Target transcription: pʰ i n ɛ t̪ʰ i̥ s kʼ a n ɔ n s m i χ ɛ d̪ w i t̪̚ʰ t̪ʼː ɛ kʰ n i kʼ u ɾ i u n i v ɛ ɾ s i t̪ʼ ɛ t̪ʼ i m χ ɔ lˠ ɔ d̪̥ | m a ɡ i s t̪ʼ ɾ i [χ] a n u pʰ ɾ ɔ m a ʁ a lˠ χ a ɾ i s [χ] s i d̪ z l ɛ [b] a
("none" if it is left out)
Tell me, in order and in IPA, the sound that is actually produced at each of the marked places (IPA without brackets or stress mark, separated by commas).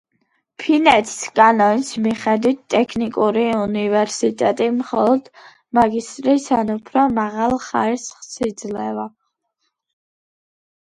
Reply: s, χ, v